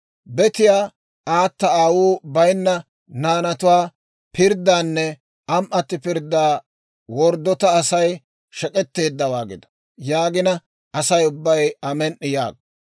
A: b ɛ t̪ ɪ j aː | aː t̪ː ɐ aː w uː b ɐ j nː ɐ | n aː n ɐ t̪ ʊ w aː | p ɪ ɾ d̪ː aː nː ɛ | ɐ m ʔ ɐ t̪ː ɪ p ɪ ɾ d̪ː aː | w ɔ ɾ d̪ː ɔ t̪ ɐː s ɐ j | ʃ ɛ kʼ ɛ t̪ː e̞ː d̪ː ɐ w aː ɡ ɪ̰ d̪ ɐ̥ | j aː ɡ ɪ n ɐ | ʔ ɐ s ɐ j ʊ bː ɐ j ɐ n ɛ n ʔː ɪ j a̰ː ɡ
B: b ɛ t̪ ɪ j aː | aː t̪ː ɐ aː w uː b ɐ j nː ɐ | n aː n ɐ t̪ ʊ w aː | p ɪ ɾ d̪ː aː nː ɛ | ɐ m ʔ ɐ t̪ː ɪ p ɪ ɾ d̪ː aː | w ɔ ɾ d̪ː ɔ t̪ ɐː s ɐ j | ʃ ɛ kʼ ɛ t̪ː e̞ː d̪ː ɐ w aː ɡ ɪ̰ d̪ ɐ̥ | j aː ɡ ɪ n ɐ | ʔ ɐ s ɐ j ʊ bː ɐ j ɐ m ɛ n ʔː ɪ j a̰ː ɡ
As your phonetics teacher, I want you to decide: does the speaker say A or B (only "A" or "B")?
B